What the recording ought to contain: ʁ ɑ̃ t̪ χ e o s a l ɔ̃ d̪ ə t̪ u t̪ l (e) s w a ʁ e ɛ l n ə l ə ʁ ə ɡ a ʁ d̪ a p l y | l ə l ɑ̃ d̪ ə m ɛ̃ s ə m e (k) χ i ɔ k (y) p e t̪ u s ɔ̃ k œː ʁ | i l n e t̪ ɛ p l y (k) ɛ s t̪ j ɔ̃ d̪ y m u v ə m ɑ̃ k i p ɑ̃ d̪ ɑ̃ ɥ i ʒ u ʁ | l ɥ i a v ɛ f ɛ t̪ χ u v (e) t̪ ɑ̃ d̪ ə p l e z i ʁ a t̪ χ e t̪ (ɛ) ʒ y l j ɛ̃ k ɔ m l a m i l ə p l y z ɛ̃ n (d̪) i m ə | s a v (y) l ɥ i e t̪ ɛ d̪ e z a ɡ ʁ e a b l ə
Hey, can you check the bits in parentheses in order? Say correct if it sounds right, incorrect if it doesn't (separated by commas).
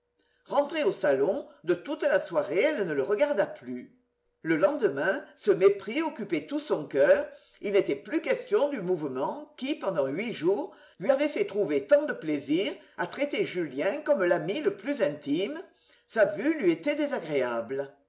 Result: incorrect, incorrect, correct, correct, correct, incorrect, incorrect, correct